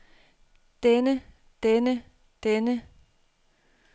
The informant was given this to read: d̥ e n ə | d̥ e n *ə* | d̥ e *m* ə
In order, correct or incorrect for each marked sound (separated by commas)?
correct, incorrect